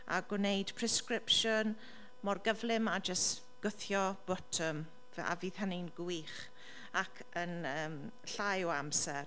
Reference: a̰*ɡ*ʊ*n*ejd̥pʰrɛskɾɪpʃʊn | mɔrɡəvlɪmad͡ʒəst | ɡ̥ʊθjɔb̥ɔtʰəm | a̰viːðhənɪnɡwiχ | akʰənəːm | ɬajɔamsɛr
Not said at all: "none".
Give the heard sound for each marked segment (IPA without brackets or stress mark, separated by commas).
ɡ, n